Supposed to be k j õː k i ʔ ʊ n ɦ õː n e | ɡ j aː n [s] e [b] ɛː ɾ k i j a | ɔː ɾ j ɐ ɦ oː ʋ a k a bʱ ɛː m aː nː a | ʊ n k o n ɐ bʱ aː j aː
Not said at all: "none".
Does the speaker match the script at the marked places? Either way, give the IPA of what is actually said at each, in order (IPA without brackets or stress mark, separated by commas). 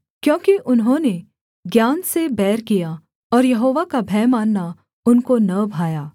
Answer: s, b